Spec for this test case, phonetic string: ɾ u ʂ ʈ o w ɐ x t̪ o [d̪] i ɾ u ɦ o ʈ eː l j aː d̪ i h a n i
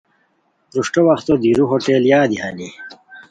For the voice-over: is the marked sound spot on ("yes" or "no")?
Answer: yes